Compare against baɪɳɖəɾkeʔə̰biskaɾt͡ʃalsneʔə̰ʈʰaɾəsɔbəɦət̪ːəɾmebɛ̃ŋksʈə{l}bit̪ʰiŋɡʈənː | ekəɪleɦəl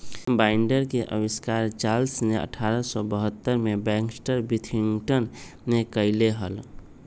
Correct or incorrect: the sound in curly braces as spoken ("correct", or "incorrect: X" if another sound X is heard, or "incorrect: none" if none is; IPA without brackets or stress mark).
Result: incorrect: ɾ